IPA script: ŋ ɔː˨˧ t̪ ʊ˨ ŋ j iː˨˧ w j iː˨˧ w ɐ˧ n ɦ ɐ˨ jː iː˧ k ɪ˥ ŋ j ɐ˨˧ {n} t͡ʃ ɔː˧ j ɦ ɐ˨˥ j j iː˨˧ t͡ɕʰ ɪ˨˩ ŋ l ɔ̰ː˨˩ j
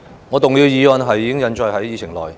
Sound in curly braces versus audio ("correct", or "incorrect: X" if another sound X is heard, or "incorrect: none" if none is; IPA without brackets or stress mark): correct